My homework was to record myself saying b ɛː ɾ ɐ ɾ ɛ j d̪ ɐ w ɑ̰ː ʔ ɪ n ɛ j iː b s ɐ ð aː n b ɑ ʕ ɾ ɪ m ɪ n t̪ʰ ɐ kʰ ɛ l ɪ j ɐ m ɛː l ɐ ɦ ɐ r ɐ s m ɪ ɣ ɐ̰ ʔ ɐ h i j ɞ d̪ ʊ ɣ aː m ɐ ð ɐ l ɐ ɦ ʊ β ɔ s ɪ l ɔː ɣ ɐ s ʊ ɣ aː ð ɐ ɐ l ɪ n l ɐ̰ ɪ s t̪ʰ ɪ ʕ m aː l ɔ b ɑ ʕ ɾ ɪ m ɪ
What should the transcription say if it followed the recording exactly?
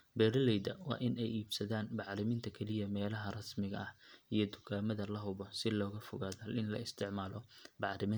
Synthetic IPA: b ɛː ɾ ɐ l ɛ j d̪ ɐ w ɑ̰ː ʔ ɪ n ɛ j iː b s ɐ ð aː n b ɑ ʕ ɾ ɪ m ɪ n t̪ʰ ɐ kʰ ɛ l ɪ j ɐ m ɛː l ɐ ɦ ɐ r ɐ s m ɪ ɣ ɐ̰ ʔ ɐ h i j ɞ d̪ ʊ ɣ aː m ɐ ð ɐ l ɐ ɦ ʊ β ɔ s ɪ l ɔː ɣ ɐ f ʊ ɣ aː ð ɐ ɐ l ɪ n l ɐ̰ ɪ s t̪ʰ ɪ ʕ m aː l ɔ b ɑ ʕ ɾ ɪ m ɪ